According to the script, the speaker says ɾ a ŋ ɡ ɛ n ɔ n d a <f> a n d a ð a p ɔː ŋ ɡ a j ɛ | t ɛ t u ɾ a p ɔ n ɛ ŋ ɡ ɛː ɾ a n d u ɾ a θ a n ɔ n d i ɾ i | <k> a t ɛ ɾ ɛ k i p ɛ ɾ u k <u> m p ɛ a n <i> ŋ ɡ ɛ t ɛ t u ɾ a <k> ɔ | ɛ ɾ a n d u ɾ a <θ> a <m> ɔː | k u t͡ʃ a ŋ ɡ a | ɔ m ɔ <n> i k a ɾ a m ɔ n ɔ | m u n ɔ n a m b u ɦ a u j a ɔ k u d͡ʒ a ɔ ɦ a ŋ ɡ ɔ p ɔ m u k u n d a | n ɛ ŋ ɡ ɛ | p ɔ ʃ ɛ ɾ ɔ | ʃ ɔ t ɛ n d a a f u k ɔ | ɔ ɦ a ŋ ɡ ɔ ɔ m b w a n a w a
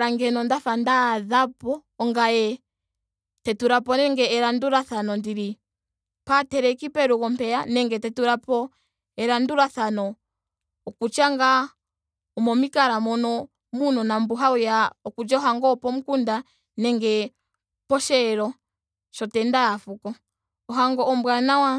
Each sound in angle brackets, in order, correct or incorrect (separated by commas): correct, incorrect, incorrect, incorrect, incorrect, correct, incorrect, incorrect